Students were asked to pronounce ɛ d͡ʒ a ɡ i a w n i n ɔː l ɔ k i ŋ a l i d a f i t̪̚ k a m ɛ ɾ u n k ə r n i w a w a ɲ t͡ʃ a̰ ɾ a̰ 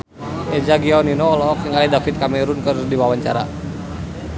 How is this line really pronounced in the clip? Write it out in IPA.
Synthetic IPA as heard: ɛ d͡ʒ a ɡ i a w n i n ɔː l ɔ k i ŋ a l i d a f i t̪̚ k a m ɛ ɾ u n k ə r d i w a w a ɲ t͡ʃ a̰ ɾ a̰